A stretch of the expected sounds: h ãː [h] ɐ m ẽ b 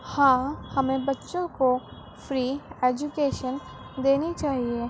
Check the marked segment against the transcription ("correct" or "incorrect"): correct